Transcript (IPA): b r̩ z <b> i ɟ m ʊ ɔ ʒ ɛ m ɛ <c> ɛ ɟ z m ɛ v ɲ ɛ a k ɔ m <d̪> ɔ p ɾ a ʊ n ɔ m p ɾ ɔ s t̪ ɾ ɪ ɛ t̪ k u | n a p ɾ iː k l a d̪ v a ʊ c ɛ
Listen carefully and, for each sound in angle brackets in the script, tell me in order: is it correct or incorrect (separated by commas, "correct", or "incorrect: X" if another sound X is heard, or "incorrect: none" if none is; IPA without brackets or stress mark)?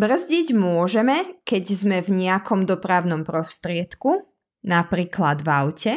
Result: incorrect: ɟ, incorrect: k, correct